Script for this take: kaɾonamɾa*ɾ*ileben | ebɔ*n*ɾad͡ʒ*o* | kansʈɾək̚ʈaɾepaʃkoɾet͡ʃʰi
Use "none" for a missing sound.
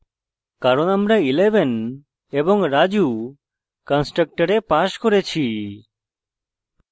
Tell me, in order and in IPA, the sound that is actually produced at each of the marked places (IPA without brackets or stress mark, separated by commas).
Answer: none, ŋ, u